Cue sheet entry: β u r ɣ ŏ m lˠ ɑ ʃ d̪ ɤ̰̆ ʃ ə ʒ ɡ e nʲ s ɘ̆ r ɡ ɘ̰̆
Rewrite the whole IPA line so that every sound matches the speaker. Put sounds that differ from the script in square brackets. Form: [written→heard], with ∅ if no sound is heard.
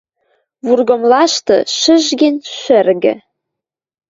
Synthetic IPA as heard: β u r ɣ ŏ m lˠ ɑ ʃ [d̪→t̪] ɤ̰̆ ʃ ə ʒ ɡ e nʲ [s→ʃ] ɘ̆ r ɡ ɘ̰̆

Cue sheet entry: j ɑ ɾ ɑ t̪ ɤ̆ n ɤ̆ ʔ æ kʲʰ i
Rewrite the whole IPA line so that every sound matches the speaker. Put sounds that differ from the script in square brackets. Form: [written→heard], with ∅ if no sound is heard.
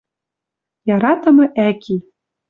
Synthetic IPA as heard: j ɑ ɾ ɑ t̪ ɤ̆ [n→m] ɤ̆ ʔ æ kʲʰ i

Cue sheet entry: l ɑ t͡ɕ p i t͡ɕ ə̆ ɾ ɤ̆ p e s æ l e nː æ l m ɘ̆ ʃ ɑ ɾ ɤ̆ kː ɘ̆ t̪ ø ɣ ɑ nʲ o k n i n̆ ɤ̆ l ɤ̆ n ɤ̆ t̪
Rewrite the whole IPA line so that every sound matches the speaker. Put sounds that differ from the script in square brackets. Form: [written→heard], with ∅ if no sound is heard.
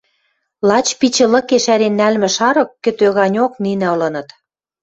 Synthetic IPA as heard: l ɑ t͡ɕ p i t͡ɕ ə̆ [ɾ→l] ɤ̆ [p→k] e [s→ʃ] æ [l→ɾ] e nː æ l m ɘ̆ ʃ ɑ ɾ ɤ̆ kː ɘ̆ t̪ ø ɣ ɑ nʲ o k n i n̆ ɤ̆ l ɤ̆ n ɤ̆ t̪

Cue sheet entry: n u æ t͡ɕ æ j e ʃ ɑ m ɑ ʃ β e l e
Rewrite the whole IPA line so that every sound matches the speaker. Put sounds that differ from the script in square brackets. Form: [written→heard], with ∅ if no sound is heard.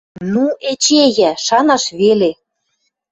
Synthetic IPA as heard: n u [æ→e] t͡ɕ [æ→e] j [e→æ] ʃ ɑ [m→n] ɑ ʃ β e l e

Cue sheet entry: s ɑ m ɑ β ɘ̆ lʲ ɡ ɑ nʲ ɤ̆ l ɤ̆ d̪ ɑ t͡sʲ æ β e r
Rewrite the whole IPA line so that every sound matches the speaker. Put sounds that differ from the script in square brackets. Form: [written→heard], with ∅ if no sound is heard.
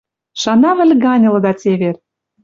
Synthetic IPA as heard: [s→ʃ] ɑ [m→n] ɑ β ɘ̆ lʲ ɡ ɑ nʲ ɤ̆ l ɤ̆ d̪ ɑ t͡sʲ [æ→e] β e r

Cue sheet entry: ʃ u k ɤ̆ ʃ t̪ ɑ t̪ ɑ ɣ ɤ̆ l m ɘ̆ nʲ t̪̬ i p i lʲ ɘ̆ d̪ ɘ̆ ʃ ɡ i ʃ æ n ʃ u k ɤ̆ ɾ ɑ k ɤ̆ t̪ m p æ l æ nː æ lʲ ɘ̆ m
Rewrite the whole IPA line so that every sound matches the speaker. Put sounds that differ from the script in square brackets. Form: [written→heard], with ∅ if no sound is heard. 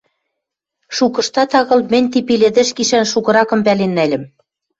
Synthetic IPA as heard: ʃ u k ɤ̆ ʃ t̪ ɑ t̪ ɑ ɣ ɤ̆ l m ɘ̆ nʲ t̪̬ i p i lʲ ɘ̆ d̪ ɘ̆ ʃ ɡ i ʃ æ n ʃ u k ɤ̆ ɾ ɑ k ɤ̆ [t̪→∅] m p æ l [æ→e] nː æ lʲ ɘ̆ m

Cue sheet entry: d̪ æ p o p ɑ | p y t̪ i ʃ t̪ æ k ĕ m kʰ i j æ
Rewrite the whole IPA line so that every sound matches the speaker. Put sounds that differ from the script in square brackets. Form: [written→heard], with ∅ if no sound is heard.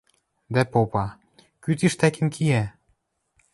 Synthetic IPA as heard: d̪ æ p o p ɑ | [p→k] y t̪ i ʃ t̪ æ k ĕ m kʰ i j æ

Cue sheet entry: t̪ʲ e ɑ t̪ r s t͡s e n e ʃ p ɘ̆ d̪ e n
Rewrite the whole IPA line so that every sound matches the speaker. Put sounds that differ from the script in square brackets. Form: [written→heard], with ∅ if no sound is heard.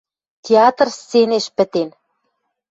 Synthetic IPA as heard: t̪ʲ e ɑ t̪ r s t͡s e n e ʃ p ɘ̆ [d̪→t̪] e n

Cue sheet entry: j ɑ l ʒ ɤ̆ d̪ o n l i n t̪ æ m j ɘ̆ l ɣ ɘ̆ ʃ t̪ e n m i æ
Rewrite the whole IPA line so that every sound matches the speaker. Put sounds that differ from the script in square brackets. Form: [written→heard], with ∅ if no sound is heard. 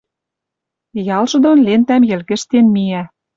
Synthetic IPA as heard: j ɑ l ʒ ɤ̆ d̪ o n l [i→e] n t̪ æ m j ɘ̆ l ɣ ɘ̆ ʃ t̪ e n m i æ

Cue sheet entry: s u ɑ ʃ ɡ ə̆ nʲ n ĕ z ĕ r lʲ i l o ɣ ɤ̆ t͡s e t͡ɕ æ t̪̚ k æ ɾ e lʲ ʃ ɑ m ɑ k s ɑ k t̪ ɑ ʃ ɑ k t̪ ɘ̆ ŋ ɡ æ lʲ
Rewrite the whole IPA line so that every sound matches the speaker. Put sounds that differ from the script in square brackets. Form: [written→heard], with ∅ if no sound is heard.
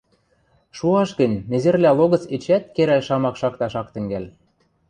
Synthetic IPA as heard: [s→ʃ] u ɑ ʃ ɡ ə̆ nʲ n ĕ z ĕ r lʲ [i→æ] l o ɣ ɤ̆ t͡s e t͡ɕ æ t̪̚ k [æ→e] ɾ [e→æ] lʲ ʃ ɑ m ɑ k [s→ʃ] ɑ k t̪ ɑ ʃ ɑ k t̪ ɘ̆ ŋ ɡ æ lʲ

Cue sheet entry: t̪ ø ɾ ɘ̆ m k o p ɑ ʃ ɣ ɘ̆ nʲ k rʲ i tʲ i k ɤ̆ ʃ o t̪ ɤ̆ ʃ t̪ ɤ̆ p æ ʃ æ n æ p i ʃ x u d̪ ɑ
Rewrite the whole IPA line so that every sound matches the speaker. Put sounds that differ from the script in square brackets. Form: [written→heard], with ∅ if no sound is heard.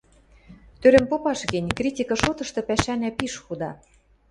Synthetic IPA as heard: t̪ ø ɾ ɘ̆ m [k→p] o p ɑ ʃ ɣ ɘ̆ nʲ k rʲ i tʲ i k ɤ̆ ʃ o t̪ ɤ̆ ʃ t̪ ɤ̆ p æ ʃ æ n æ p i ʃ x u d̪ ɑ

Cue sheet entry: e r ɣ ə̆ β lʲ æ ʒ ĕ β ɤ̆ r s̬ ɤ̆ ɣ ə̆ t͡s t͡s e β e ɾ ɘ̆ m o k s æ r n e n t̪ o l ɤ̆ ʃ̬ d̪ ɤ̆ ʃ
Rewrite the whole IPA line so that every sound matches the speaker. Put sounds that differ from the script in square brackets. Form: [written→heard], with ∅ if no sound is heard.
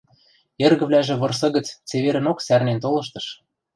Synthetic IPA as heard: e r ɣ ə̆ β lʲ æ ʒ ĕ β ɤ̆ r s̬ ɤ̆ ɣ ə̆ t͡s t͡s e β e ɾ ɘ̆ [m→n] o k s æ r n e n t̪ o l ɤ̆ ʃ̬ [d̪→t̪] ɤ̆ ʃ

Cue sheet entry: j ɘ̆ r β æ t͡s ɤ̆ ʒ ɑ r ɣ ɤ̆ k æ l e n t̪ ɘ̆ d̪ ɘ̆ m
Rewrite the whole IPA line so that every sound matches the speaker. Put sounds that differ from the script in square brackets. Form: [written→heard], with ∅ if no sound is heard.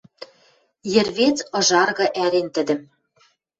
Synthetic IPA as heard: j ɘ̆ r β [æ→e] t͡s ɤ̆ ʒ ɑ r ɣ ɤ̆ [k→ʔ] æ [l→ɾ] e n t̪ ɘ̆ d̪ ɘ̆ m

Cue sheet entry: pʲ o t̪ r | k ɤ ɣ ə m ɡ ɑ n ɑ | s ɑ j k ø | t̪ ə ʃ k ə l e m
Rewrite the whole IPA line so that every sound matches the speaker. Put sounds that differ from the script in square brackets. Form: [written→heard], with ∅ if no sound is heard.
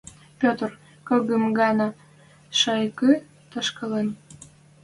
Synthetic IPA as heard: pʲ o t̪ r | k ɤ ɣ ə m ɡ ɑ n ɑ | [s→ʃ] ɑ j k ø | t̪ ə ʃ k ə l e [m→n]

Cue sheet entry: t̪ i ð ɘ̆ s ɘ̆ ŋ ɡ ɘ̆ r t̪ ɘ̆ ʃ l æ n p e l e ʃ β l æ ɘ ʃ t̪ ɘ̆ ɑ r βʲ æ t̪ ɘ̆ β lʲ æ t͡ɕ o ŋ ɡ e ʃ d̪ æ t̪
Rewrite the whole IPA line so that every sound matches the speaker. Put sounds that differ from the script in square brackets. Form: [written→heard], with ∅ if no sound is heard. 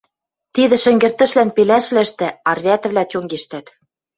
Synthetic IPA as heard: t̪ i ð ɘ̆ [s→ʃ] ɘ̆ ŋ ɡ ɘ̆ r t̪ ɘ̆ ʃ l æ n p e l [e→æ] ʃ β l æ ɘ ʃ t̪ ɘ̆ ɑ r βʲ æ t̪ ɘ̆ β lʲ æ t͡ɕ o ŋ ɡ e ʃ [d̪→t̪] æ t̪

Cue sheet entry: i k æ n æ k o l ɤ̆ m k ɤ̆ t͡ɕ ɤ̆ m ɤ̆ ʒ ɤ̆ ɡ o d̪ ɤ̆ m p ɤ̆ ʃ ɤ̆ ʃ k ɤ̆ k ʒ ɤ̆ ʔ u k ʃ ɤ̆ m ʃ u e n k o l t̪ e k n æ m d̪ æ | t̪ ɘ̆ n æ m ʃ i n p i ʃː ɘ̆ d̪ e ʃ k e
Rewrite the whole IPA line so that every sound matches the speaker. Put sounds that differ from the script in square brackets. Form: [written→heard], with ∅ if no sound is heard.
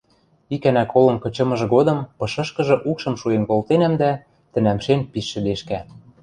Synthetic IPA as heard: i k æ n æ k o l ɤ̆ m k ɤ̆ t͡ɕ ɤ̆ m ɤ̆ ʒ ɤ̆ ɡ o d̪ ɤ̆ m p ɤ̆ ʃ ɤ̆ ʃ k ɤ̆ [k→∅] ʒ ɤ̆ ʔ u k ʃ ɤ̆ m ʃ u e n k o l t̪ e [k→∅] n æ m d̪ æ | t̪ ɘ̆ n æ m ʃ [i→e] n p i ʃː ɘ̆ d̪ e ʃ k [e→æ]

